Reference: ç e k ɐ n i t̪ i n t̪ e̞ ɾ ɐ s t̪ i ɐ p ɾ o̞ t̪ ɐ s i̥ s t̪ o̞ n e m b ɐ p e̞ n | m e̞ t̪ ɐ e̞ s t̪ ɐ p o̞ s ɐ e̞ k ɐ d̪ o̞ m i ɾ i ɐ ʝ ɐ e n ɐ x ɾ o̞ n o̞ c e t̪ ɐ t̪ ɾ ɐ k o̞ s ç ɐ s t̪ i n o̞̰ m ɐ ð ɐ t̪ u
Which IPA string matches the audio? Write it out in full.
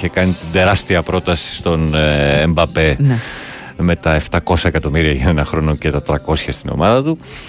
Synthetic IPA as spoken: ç e k ɐ n i t̪ i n d̪ e̞ ɾ ɐ s t̪ i ɐ p ɾ o̞ t̪ ɐ s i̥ s t̪ o̞ n e m b ɐ p e̞ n | m e̞ t̪ ɐ e̞ f t̪ ɐ k o̞ s ɐ e̞ k ɐ t̪ o̞ m i ɾ i ɐ ʝ ɐ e n ɐ x ɾ o̞ n o̞ c e t̪ ɐ t̪ ɾ ɐ k o̞ s ç ɐ s t̪ i n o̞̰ m ɐ ð ɐ t̪ u